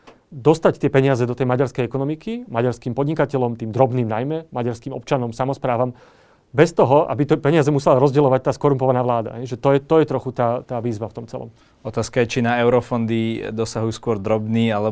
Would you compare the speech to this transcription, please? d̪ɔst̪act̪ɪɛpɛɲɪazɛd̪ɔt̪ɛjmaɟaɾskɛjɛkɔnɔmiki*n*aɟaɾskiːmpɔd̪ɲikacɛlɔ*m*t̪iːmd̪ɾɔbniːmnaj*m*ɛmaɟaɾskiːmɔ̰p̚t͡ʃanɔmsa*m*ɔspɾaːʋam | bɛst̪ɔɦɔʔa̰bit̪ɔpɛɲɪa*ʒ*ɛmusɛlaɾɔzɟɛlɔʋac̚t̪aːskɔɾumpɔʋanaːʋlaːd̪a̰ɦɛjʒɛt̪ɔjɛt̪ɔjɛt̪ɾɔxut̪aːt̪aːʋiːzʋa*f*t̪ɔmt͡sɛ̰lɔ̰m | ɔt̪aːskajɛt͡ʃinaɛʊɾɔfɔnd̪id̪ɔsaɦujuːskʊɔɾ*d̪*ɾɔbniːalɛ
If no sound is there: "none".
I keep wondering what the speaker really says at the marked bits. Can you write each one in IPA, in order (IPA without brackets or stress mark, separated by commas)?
m, m, m, m, z, f, d̪